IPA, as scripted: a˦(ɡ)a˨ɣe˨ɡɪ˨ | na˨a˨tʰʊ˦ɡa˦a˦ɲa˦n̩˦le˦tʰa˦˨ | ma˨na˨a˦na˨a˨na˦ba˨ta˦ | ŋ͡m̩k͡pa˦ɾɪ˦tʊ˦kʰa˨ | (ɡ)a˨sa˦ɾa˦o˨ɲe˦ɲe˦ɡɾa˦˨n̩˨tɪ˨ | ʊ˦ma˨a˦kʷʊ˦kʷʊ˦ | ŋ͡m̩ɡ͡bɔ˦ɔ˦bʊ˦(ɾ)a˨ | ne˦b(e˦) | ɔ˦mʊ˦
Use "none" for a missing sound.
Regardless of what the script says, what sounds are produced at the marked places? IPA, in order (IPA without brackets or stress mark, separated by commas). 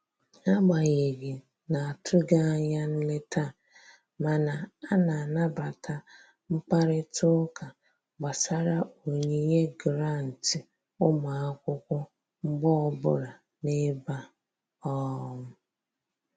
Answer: ɡ͡b, ɡ͡b, ɾ, a˦